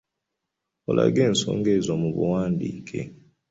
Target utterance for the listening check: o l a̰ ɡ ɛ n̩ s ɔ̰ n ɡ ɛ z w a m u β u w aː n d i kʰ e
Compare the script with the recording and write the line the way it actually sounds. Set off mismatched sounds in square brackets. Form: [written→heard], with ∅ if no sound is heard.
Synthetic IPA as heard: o l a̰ ɡ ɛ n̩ s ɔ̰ [n→ŋ] ɡ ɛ z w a m u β u w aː n d i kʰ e